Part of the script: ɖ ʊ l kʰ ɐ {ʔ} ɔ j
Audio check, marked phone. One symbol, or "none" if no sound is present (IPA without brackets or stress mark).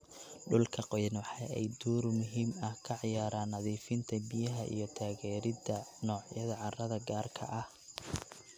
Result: q